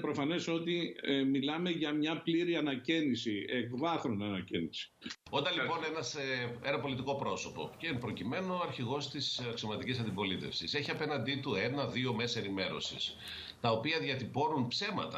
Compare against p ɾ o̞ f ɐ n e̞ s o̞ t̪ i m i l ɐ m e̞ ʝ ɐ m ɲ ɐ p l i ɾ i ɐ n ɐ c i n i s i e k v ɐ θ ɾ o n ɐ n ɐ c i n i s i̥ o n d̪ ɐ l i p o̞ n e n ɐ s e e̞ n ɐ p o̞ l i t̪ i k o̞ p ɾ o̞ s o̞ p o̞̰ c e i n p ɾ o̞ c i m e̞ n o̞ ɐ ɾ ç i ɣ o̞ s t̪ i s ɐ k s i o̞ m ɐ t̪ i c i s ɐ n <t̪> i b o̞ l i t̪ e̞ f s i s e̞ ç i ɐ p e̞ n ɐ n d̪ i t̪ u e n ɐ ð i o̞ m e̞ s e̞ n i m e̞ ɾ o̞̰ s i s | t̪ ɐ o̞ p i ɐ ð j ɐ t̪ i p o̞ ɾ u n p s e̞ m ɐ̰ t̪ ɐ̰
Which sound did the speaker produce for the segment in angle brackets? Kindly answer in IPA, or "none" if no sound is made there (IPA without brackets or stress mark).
d̪